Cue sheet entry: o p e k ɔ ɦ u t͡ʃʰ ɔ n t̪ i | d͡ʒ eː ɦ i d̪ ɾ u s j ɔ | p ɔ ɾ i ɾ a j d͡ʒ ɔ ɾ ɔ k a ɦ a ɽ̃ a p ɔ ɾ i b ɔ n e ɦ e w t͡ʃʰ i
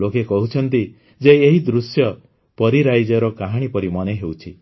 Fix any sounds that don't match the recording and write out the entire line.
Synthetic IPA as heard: o k e k ɔ ɦ u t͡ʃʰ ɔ n t̪ i | d͡ʒ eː ɦ i d̪ ɾ u s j ɔ | p ɔ ɾ i ɾ a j d͡ʒ ɔ ɾ ɔ k a ɦ a ɽ̃ i p ɔ ɾ i m ɔ n e ɦ e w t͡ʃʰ i